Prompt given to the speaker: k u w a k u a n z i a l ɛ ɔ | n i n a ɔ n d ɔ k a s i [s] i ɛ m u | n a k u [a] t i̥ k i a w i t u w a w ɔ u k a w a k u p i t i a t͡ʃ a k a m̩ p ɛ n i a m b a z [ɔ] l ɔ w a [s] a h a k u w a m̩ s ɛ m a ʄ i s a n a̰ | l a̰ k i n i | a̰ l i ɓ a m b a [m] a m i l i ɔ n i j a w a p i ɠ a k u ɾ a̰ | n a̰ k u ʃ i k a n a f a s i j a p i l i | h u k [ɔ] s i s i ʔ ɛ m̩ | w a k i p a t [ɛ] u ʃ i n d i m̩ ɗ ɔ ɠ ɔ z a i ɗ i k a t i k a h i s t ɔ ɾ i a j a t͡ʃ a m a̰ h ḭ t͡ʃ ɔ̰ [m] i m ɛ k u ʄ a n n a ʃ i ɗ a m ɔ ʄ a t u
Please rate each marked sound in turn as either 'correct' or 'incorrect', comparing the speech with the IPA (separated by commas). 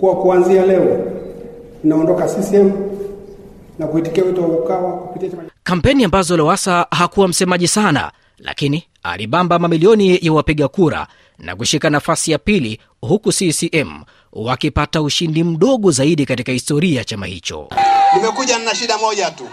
correct, incorrect, correct, correct, correct, incorrect, incorrect, incorrect